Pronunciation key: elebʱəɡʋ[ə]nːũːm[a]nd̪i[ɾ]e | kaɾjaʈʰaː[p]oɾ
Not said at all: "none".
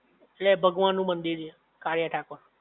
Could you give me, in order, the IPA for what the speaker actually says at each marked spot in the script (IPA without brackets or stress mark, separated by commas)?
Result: a, ə, ɾ, k